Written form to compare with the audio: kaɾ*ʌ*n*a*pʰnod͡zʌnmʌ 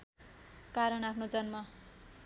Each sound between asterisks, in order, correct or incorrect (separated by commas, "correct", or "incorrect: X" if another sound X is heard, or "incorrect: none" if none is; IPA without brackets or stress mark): correct, correct